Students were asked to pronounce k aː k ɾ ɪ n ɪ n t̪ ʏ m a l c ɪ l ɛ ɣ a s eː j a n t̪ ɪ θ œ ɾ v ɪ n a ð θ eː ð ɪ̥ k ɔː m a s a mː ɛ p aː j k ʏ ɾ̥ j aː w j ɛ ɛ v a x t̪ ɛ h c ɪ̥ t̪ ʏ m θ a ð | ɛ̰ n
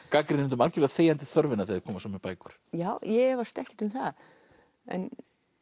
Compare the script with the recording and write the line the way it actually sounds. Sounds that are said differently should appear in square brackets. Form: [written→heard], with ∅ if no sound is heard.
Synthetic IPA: k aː k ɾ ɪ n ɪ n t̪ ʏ m a l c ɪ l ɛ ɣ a [s→θ] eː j a n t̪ ɪ θ œ ɾ v ɪ n a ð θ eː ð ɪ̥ [k→kʰ] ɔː m a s a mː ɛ p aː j k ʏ ɾ̥ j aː w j ɛ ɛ v a [x→s] t̪ ɛ h c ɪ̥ t̪ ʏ m θ a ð | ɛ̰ n